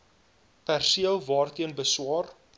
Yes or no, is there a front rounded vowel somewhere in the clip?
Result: no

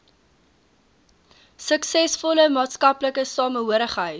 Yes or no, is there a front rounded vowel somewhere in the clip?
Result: no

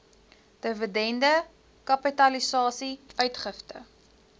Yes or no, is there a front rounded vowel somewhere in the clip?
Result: yes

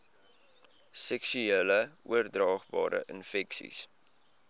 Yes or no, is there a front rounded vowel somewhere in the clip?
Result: yes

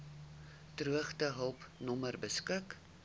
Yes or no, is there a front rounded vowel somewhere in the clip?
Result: no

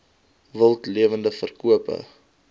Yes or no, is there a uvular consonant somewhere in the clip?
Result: no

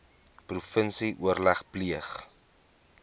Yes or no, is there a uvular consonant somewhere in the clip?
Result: yes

